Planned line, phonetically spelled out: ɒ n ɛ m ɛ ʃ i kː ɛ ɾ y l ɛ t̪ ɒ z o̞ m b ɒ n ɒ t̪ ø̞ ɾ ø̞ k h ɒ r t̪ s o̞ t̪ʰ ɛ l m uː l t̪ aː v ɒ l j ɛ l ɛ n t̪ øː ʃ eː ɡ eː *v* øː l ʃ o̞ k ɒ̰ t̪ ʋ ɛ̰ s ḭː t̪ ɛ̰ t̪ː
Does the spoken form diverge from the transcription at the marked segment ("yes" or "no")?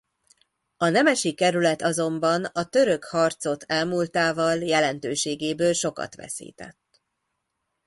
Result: yes